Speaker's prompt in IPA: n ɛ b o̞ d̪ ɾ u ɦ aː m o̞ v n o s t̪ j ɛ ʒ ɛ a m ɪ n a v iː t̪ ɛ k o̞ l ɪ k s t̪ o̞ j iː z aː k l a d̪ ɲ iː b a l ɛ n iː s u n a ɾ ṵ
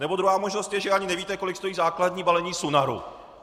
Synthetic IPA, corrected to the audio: n ɛ b o̞ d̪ ɾ u ɦ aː m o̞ ʒ n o s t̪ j ɛ ʒ ɛ a ɲ ɪ n ɛ v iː t̪ ɛ k o̞ l ɪ k s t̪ o̞ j iː z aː k l a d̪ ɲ iː b a l ɛ ɲ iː s u n a ɾ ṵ